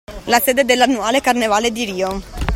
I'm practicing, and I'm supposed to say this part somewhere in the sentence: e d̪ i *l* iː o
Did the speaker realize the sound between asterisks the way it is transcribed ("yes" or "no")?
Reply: no